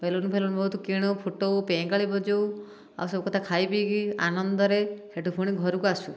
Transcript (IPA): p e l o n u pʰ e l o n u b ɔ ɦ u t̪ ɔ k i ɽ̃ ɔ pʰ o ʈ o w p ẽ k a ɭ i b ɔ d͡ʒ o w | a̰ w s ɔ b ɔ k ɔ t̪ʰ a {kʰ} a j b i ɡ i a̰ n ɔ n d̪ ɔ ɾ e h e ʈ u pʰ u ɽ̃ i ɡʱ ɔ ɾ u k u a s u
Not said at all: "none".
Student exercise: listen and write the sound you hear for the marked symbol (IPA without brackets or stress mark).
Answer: kʰ